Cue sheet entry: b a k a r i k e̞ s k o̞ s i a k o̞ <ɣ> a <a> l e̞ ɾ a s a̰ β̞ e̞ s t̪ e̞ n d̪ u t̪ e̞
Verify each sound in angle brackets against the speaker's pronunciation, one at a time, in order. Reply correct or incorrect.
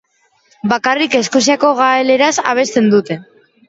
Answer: correct, incorrect: e

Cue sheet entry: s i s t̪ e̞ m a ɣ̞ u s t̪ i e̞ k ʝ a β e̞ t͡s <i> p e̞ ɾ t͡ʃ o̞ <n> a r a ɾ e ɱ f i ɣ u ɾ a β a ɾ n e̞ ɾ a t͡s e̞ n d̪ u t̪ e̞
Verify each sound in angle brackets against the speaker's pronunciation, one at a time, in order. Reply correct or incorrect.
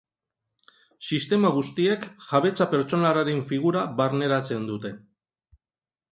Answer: incorrect: a, correct

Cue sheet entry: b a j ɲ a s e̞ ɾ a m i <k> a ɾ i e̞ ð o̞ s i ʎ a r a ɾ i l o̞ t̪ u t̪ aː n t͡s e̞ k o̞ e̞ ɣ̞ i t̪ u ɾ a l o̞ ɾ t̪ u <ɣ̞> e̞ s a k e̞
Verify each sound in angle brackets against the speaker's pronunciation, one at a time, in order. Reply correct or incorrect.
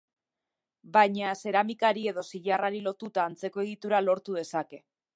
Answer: correct, incorrect: ð̞

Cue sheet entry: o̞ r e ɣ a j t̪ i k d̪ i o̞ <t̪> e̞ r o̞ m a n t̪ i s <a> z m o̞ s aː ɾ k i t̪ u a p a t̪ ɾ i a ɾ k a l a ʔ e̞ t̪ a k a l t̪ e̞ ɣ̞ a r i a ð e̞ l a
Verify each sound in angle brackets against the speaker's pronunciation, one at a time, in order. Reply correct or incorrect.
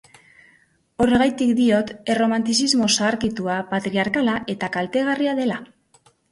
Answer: correct, incorrect: i

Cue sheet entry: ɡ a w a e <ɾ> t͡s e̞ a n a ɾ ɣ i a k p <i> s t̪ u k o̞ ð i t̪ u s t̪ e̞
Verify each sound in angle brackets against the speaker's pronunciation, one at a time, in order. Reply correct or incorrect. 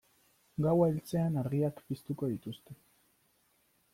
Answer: incorrect: l, correct

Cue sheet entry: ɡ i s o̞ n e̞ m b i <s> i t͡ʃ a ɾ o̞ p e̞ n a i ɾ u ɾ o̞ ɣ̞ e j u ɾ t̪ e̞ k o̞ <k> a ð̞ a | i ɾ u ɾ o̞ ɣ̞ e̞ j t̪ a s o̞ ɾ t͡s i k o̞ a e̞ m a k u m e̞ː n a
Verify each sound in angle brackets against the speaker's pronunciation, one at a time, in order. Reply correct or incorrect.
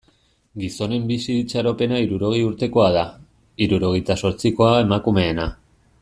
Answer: correct, incorrect: none

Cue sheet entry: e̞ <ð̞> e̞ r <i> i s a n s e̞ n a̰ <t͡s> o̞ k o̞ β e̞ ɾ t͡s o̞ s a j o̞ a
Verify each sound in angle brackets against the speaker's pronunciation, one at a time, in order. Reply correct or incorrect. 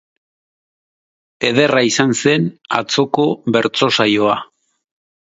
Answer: correct, incorrect: a, correct

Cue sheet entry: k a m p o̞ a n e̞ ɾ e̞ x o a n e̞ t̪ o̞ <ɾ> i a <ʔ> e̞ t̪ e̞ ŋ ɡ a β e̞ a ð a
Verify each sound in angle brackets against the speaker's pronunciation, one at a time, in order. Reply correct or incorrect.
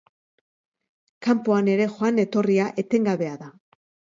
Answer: incorrect: r, correct

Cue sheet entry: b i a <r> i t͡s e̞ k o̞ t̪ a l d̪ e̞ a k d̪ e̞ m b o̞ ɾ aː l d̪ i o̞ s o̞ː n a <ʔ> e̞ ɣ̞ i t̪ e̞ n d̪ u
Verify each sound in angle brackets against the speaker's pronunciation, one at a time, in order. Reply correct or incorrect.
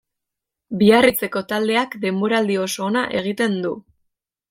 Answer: correct, correct

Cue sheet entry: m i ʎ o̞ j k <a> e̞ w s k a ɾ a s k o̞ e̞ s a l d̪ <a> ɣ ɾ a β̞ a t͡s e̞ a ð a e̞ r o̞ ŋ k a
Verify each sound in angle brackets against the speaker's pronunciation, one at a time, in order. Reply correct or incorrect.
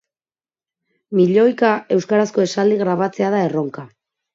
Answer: correct, incorrect: i

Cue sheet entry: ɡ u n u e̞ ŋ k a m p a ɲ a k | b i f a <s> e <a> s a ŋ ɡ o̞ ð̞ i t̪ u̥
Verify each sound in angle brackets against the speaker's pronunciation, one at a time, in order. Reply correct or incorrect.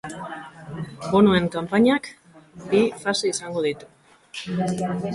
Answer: correct, incorrect: i

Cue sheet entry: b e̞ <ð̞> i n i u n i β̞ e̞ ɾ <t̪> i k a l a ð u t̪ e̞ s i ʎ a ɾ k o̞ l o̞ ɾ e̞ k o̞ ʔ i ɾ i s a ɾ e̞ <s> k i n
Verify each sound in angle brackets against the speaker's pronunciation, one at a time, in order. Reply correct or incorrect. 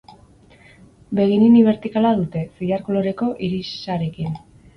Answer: incorrect: ɣ̞, correct, incorrect: none

